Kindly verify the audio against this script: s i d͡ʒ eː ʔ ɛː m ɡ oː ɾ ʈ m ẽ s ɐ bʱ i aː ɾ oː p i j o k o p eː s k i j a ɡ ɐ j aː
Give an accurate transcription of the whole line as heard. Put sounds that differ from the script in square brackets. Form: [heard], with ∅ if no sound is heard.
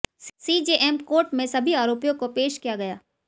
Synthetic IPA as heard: s i d͡ʒ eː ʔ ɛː m [k] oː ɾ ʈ m ẽ s ɐ bʱ i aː ɾ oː p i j [õ] k o p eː [ʃ] k i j a ɡ ɐ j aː